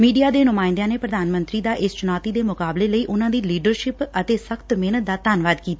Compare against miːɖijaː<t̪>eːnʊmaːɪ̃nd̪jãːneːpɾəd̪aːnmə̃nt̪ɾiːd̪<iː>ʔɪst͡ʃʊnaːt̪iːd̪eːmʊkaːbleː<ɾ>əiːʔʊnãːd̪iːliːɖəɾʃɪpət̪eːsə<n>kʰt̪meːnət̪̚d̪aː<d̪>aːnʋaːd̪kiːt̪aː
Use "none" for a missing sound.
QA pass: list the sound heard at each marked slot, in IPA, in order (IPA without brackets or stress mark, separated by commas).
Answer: d̪, aː, l, none, t̪